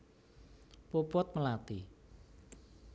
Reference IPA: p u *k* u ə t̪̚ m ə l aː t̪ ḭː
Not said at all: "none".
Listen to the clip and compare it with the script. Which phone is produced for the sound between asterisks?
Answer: p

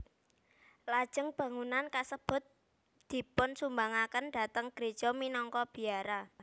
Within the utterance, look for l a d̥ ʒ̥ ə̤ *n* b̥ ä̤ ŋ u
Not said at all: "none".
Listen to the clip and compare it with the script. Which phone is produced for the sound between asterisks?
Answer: ŋ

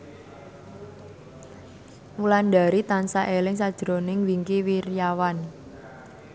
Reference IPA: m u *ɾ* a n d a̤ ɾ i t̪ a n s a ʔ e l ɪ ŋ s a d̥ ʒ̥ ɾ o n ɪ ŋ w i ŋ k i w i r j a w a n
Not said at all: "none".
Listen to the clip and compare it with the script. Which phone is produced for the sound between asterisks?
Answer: l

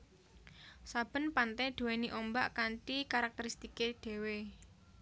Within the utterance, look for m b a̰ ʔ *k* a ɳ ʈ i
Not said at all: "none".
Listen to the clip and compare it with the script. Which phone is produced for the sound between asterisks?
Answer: k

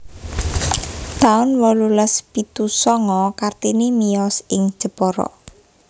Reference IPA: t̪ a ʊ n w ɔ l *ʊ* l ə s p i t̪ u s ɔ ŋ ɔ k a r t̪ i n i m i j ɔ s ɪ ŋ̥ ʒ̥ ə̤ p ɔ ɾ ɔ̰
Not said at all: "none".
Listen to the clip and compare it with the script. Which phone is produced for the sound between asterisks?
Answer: u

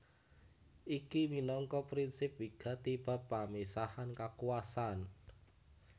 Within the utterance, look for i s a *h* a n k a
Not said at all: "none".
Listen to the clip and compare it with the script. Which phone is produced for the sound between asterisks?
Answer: h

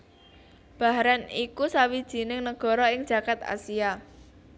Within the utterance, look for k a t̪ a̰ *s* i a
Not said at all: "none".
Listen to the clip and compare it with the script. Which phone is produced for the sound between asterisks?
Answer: s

